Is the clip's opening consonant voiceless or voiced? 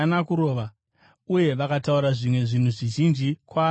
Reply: voiced